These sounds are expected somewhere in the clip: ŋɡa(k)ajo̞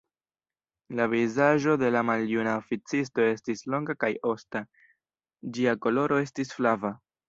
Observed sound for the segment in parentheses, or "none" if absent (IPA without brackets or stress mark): k